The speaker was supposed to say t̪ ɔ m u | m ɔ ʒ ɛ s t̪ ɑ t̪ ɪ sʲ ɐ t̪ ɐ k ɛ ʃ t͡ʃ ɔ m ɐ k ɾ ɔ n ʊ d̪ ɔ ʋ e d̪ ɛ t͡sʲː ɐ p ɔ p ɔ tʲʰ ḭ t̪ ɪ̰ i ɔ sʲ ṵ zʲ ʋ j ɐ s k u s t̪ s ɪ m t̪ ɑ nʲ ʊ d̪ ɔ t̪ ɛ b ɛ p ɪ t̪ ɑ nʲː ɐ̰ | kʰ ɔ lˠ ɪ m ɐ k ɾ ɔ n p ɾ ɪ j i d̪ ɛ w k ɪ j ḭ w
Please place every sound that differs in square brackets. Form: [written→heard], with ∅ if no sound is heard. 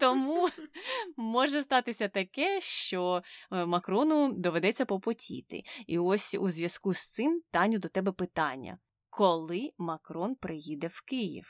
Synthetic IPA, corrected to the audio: t̪ ɔ m u | m ɔ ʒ ɛ s t̪ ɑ t̪ ɪ sʲ ɐ t̪ ɐ k ɛ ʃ t͡ʃ ɔ m ɐ k ɾ ɔ n ʊ d̪ ɔ ʋ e d̪ ɛ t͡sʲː ɐ p ɔ p ɔ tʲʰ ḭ t̪ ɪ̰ i ɔ sʲ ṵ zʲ ʋ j ɐ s k u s t̪ s ɪ m t̪ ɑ nʲ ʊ d̪ ɔ t̪ ɛ b ɛ p ɪ t̪ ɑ nʲː ɐ̰ | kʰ ɔ lˠ ɪ m ɐ k ɾ ɔ n p ɾ ɪ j i d̪ ɛ w k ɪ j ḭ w